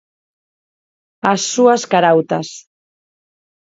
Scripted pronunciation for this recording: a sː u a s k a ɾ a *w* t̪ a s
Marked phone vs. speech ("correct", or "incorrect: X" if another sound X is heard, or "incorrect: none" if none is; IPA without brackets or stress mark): correct